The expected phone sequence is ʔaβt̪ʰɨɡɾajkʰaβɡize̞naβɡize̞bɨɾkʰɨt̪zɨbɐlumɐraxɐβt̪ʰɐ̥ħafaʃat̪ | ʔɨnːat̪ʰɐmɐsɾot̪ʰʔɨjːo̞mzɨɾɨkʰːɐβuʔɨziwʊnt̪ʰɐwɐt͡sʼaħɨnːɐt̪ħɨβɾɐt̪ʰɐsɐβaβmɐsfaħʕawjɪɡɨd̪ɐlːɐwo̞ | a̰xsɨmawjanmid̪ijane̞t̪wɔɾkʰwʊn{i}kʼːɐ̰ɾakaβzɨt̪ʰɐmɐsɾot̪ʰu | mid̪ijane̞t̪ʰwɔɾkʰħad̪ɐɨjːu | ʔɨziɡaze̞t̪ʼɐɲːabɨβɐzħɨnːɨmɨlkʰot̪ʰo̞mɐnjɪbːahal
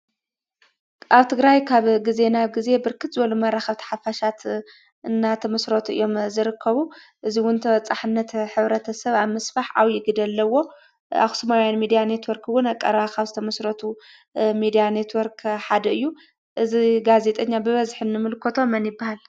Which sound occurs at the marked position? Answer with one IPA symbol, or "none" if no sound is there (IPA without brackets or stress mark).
a